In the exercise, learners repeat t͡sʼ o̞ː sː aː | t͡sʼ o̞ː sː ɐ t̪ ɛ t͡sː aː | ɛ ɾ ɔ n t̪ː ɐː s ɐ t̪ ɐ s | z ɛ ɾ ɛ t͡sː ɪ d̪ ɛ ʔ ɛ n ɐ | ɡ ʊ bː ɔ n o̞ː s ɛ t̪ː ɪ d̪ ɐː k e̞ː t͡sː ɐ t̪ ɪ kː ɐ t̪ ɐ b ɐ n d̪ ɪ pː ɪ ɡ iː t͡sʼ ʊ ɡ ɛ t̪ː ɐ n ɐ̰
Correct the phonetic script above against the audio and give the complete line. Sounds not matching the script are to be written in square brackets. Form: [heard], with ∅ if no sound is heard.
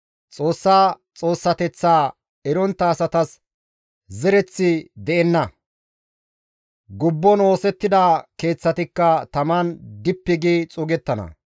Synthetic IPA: t͡sʼ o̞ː sː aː | t͡sʼ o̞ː sː ɐ t̪ ɛ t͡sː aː | ɛ ɾ ɔ n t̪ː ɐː s ɐ t̪ ɐ s | z ɛ ɾ ɛ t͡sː ɪ d̪ ɛ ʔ ɛ [nː] ɐ | ɡ ʊ bː ɔ n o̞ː s ɛ t̪ː ɪ d̪ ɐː k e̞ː t͡sː ɐ t̪ ɪ kː ɐ t̪ ɐ [m] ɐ n d̪ ɪ pː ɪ ɡ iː t͡sʼ ʊ ɡ ɛ t̪ː ɐ n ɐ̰